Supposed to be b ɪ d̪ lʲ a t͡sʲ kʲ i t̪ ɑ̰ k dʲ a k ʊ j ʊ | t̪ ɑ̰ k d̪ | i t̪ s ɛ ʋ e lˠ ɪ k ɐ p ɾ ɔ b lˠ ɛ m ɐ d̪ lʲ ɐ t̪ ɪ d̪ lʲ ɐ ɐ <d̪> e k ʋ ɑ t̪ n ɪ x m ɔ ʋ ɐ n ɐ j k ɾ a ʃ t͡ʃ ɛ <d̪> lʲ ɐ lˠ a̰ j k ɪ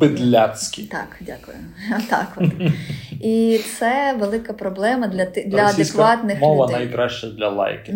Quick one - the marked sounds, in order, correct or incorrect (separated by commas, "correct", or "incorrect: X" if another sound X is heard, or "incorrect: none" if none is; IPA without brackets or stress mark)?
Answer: correct, correct